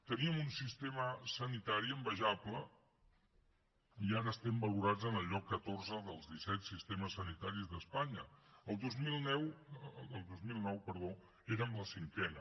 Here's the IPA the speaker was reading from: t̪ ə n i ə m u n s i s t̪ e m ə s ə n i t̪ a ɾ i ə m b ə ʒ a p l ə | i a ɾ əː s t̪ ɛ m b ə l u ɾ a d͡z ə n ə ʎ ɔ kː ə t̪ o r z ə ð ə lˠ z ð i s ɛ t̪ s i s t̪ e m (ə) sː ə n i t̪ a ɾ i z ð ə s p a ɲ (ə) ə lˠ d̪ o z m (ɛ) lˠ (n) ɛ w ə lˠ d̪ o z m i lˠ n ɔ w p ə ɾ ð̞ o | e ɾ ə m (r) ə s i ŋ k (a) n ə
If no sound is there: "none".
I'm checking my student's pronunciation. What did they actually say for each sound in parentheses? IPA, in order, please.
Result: ə, ə, i, n, l, ɛ

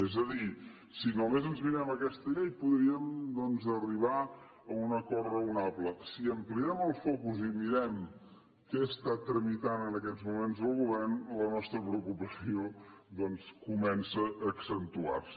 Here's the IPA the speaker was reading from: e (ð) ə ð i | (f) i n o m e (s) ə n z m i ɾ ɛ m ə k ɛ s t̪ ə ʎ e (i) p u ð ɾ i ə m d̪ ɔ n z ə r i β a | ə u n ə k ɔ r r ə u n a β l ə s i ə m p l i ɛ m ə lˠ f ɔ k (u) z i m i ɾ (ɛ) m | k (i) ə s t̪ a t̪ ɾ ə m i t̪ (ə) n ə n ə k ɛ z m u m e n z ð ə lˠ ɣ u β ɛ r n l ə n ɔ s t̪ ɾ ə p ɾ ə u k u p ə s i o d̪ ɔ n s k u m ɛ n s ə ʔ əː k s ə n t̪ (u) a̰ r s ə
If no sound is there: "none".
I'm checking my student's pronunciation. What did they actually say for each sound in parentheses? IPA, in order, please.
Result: z, s, z, j, u, ɛ, ɛ, a, u

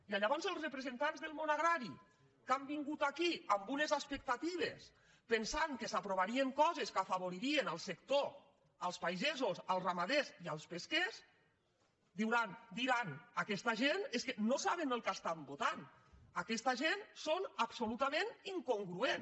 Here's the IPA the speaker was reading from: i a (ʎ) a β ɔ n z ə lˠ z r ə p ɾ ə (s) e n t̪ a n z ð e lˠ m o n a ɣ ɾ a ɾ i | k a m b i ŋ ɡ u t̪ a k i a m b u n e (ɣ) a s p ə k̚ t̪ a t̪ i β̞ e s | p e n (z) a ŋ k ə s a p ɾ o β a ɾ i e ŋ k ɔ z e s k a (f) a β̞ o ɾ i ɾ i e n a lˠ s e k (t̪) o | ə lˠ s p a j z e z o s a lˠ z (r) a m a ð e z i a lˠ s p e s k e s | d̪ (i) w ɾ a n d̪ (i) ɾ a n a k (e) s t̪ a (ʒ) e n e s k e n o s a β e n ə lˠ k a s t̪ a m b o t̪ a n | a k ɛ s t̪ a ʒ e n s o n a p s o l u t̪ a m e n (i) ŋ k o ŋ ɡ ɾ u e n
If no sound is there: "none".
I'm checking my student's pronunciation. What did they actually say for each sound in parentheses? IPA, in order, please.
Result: ʎ, z, z, s, f, t̪, r, i, i, ɛ, ʒ, i

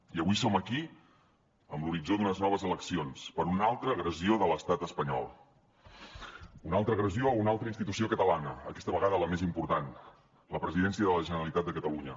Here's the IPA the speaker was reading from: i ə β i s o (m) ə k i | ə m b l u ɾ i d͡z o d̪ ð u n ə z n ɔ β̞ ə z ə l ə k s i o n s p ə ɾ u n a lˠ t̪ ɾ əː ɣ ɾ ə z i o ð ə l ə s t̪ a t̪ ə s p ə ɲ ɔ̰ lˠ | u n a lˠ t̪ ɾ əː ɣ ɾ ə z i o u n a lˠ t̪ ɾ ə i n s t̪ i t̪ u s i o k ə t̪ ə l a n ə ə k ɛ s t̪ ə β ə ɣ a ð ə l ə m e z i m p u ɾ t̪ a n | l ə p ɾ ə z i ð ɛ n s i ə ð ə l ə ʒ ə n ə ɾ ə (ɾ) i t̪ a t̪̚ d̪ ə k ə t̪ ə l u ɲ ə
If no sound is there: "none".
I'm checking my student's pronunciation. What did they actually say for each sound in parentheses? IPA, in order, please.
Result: m, l

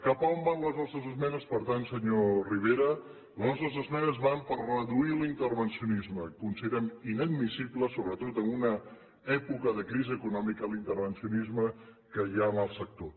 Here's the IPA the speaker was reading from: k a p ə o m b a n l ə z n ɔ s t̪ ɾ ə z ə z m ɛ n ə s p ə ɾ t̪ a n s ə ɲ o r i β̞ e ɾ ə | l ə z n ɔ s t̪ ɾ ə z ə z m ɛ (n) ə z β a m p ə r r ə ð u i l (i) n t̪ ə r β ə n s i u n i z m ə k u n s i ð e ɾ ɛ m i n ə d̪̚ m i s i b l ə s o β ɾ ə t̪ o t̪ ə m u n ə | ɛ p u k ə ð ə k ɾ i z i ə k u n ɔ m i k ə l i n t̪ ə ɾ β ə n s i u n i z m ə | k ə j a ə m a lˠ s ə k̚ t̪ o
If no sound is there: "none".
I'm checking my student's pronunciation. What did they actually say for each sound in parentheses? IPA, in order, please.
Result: n, i

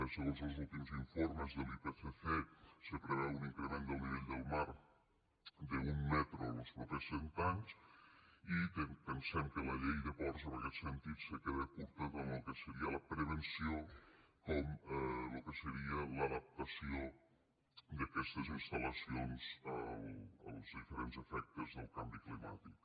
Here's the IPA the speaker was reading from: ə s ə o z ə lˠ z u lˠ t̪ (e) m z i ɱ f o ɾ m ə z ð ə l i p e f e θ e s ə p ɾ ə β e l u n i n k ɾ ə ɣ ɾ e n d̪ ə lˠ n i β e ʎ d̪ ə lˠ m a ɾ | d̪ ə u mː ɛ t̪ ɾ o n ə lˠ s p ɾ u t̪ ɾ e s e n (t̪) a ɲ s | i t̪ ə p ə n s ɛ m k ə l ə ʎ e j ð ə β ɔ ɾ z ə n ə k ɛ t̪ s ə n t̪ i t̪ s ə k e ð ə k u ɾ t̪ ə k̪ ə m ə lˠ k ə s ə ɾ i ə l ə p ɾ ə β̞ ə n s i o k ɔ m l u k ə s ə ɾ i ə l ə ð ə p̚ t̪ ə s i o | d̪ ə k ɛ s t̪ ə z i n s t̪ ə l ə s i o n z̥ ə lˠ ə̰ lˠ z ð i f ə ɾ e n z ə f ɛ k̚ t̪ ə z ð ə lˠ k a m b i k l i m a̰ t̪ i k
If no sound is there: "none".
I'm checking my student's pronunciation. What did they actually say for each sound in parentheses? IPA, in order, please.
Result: i, t̪

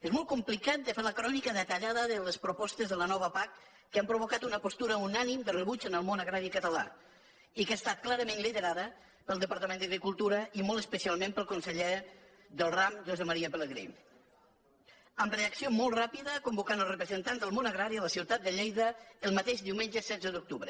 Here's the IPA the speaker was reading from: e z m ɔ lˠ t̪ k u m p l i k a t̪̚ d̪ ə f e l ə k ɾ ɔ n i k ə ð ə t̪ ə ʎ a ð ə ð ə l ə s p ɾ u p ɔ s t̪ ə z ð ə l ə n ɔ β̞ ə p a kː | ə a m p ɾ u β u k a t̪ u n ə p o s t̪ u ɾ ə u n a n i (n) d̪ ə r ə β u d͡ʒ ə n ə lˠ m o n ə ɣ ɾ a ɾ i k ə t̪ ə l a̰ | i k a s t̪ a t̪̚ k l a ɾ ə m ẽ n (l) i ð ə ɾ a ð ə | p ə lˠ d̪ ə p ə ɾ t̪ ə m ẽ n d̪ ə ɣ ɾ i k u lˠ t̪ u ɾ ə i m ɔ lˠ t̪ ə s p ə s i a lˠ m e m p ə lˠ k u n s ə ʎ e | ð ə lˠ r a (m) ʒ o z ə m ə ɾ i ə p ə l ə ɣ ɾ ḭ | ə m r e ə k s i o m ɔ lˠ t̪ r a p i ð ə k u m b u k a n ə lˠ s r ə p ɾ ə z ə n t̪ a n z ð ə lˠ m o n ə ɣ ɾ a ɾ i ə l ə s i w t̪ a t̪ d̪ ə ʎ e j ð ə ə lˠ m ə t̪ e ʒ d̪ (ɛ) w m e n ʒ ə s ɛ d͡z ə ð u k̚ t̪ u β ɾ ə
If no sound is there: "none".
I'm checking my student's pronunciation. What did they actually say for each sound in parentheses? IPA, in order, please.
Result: m, l, m, i

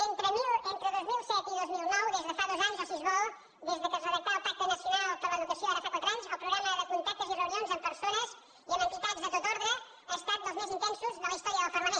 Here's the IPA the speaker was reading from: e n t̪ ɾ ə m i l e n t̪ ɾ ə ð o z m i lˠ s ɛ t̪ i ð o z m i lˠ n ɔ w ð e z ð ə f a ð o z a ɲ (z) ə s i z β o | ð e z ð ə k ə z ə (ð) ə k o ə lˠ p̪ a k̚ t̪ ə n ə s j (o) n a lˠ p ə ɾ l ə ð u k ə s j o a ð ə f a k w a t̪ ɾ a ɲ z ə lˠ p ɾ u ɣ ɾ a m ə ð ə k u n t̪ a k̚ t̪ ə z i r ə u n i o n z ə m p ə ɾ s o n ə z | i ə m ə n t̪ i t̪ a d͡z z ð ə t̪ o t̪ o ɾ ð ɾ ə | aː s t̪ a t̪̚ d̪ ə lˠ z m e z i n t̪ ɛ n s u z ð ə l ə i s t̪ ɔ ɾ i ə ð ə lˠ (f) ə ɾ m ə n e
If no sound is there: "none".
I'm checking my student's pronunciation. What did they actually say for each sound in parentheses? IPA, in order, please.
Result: z, ð, u, f

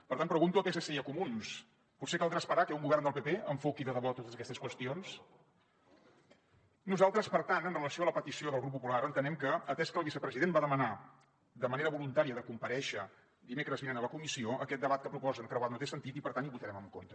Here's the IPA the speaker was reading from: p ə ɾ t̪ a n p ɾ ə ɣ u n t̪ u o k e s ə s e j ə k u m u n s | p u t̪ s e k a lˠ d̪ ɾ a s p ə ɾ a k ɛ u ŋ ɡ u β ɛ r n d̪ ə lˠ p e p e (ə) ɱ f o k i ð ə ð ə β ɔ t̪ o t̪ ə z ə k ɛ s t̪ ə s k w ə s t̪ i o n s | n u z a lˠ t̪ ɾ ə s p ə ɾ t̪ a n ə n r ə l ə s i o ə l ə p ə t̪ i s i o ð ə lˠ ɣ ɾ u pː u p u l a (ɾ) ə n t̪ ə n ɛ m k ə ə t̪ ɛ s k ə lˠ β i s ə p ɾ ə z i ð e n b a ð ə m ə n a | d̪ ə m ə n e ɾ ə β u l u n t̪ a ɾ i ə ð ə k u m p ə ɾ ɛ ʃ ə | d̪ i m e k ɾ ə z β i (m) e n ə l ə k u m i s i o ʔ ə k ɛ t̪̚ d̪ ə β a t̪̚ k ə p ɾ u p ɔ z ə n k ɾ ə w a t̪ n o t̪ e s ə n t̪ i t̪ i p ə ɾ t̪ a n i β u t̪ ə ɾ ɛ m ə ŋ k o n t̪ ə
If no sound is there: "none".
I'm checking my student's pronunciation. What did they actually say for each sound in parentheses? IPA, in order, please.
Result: ə, ɾ, n

